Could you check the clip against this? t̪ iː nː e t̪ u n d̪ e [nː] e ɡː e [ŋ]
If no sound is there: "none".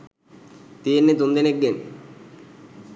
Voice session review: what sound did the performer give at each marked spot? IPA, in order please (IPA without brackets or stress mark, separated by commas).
n, n